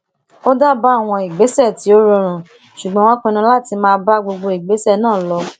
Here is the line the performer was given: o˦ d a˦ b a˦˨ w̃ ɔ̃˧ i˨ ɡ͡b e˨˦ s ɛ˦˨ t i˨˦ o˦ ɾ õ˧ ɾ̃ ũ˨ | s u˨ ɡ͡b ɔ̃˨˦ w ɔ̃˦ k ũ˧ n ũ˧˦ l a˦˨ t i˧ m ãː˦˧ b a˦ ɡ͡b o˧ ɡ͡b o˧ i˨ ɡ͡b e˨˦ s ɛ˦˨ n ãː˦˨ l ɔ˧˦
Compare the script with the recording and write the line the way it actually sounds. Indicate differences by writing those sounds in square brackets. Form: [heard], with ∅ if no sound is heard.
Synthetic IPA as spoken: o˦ d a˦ b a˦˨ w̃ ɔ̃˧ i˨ ɡ͡b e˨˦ s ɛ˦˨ t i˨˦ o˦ ɾ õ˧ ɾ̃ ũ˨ | [ʃ] u˨ ɡ͡b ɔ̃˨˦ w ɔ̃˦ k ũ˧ n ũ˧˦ l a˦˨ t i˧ m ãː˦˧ b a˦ ɡ͡b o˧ ɡ͡b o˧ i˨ ɡ͡b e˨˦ s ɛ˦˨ n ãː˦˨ l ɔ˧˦